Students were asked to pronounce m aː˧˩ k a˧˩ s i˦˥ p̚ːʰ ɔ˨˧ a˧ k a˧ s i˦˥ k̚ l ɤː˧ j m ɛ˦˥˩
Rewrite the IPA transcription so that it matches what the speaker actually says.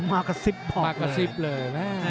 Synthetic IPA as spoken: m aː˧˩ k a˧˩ s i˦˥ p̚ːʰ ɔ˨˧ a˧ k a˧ s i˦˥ p̚ l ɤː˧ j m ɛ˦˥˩

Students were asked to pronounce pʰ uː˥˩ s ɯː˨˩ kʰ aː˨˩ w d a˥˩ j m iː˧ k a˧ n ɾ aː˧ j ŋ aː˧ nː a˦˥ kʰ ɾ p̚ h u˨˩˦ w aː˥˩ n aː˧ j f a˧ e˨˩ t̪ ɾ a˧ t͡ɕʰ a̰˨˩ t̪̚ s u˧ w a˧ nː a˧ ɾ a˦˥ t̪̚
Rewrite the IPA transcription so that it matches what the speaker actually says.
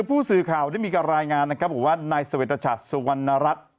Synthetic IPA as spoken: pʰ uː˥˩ s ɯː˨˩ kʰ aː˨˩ w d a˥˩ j m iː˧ k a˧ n ɾ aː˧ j ŋ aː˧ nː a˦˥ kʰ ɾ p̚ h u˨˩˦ w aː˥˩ n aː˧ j s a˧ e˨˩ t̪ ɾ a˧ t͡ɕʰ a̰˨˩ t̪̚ s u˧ w a˧ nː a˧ ɾ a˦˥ t̪̚

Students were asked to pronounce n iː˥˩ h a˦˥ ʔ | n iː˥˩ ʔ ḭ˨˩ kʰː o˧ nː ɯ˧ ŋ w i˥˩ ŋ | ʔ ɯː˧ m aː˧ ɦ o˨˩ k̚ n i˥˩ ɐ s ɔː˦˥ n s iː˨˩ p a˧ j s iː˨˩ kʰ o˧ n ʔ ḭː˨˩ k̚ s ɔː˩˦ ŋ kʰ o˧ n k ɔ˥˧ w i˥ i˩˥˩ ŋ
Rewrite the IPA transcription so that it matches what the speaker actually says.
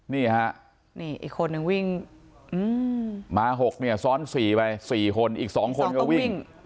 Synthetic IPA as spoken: n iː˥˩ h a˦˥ ʔ | n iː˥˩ ʔ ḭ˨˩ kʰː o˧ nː ɯ˧ ŋ w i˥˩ ŋ | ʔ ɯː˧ m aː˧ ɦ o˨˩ k̚ n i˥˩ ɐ s ɔː˦˥ n s iː˨˩ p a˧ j s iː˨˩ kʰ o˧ n ʔ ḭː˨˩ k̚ s ɔː˩˦ ŋ kʰ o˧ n k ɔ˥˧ w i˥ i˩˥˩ ŋ

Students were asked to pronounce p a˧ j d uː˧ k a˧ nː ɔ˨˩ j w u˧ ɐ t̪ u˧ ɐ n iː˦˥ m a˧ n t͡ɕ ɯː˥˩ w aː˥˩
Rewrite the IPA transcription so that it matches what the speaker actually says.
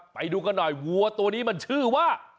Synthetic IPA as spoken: p a˧ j d uː˧ k a˧ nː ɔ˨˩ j w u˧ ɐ t̪ u˧ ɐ n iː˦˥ m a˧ n t͡ɕʰ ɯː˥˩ w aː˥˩

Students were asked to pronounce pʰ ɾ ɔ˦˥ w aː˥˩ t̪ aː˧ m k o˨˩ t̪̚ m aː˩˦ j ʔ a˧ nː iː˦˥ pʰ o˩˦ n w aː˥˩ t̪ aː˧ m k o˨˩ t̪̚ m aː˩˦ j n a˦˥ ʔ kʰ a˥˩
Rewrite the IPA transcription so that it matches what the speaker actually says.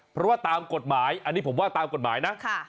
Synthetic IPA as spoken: pʰ ɾ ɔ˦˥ w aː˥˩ t̪ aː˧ m k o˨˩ t̪̚ m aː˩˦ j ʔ a˧ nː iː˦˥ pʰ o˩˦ m w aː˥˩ t̪ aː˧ m k o˨˩ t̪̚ m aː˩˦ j n a˦˥ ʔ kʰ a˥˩

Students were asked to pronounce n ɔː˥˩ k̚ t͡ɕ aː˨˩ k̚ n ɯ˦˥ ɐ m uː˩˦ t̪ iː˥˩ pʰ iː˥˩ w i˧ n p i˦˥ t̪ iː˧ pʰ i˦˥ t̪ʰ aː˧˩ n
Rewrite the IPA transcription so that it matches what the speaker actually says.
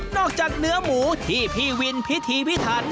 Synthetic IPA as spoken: n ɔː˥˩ k̚ t͡ɕ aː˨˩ k̚ n ɯ˦˥ ɐ m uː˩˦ t̪ʰ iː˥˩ pʰ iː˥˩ w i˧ n pʰ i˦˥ t̪ʰ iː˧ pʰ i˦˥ t̪ʰ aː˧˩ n

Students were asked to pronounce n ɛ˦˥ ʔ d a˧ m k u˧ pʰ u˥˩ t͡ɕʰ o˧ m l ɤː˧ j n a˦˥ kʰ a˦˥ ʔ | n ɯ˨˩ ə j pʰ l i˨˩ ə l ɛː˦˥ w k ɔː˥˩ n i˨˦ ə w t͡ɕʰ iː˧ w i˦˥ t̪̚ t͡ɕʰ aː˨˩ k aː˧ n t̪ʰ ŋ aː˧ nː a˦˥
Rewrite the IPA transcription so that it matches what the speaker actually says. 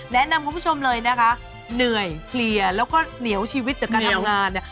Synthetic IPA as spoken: n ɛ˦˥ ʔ n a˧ m k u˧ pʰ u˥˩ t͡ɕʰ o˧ m l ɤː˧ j n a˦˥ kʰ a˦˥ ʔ | n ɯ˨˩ ə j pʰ l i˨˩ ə l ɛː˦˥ w k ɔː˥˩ n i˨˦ ə w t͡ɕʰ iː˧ w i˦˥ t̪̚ t͡ɕ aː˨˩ k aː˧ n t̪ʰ ŋ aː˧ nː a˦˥

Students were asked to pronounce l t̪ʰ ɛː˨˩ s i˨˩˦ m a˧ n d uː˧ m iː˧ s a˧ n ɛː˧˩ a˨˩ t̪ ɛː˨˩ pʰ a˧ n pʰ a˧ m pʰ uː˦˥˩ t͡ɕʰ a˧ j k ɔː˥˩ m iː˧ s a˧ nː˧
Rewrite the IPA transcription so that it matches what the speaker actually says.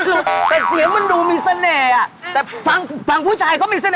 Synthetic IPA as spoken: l t̪ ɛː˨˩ s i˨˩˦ m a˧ n d uː˧ m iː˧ s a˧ n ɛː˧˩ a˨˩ t̪ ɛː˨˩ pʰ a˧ ŋ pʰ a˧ ŋ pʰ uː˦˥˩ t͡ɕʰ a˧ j k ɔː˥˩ m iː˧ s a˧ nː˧

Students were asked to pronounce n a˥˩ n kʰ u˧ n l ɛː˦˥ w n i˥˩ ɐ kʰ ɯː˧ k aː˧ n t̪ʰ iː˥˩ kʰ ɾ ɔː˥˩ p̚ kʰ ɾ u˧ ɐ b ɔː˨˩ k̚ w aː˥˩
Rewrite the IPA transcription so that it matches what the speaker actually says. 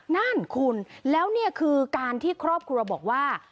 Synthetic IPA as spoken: n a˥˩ n kʰ u˧ n l ɛː˦˥ w n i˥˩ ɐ kʰ ɯː˧ k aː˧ n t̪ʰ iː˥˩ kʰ ɾ ɔː˥˩ p̚ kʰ ɾ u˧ ɐ b ɔː˨˩ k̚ w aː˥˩

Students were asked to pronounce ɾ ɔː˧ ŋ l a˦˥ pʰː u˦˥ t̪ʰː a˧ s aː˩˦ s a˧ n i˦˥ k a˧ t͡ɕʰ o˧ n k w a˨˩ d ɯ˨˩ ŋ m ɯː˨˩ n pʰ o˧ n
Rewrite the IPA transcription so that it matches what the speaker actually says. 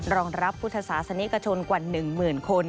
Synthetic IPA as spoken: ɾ ɔː˧ ŋ ɾ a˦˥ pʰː u˦˥ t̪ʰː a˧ s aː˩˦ s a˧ n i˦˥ k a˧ t͡ɕʰ o˧ n k w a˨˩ n ɯ˨˩ ŋ m ɯː˨˩ n kʰ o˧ n

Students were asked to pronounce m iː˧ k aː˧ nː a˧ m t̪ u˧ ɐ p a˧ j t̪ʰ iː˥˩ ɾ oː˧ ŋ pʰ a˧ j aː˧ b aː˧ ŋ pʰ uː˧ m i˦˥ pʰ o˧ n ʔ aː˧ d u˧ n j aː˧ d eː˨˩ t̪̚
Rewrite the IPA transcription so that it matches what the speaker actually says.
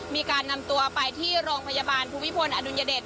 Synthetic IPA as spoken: m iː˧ k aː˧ nː a˧ m t̪ u˧ ɐ p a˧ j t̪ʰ iː˥˩ ɾ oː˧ ŋ pʰ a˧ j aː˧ b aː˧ n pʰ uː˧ m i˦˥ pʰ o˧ n ʔ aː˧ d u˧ n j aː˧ d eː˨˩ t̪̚

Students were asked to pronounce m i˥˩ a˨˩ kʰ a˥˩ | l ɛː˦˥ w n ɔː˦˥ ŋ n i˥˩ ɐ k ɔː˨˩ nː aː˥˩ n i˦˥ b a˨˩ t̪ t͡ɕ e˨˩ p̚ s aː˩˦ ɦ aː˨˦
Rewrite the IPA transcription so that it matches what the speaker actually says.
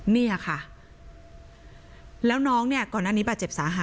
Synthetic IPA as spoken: n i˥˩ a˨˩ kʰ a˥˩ | l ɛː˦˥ w n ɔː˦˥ ŋ n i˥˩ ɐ k ɔː˨˩ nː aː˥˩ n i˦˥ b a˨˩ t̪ t͡ɕ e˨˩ p̚ s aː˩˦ ɦ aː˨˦

